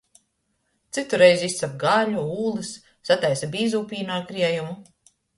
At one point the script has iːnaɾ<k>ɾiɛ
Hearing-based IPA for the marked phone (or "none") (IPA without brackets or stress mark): k